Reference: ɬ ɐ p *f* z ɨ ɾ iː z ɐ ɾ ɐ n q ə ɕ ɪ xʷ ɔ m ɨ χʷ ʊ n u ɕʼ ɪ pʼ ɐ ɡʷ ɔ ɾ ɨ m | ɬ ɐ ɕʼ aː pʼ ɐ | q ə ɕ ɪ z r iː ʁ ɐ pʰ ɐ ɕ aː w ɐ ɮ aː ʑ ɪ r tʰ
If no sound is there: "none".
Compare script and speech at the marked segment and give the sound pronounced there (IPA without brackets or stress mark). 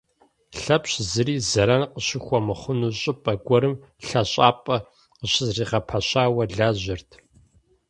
ɕ